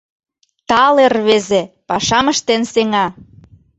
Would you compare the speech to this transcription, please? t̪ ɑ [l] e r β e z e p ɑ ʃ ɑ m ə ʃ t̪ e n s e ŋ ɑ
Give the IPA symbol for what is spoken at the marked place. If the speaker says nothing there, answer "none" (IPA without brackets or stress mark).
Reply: l